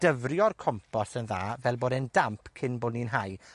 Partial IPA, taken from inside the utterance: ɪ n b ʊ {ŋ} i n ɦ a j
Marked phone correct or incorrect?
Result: incorrect